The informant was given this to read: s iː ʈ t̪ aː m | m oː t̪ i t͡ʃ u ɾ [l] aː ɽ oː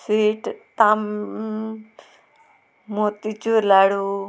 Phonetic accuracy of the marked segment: correct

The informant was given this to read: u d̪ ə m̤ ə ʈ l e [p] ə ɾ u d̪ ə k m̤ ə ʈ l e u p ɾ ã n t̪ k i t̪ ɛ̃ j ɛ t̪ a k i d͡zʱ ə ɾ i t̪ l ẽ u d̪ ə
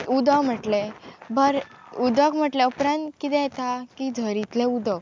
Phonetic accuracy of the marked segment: incorrect: b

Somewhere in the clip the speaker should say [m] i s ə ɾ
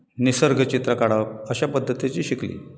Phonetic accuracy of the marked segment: incorrect: n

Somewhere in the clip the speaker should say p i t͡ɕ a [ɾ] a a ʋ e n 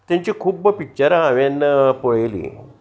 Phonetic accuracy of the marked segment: correct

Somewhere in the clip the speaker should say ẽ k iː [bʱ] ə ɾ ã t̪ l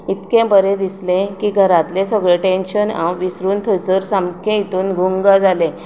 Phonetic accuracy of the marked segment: incorrect: ɡʱ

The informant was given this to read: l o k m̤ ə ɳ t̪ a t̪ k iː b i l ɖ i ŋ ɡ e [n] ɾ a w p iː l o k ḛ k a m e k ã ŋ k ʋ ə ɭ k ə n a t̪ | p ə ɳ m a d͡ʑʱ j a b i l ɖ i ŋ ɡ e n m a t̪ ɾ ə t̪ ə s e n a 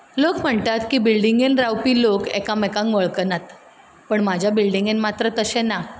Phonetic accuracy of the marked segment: correct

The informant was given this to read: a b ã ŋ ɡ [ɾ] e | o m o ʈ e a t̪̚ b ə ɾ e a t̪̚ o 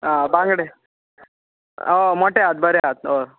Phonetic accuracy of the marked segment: incorrect: ɽ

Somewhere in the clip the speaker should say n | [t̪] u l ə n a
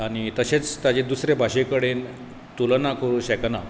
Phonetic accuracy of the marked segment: correct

